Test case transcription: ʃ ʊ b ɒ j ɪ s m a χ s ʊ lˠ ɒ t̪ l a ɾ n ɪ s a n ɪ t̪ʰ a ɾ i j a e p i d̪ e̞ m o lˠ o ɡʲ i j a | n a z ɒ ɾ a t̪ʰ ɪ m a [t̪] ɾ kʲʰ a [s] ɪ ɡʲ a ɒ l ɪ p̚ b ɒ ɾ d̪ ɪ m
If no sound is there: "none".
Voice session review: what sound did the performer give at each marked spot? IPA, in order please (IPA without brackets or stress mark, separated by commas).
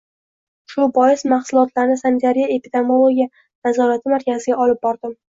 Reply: none, z